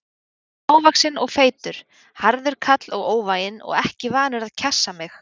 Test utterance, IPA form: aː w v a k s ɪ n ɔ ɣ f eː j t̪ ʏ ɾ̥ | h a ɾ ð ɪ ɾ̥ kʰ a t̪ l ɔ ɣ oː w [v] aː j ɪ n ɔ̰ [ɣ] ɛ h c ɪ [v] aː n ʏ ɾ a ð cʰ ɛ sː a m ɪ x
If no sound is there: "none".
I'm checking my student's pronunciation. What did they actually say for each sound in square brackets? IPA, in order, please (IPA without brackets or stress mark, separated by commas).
v, ɣ, v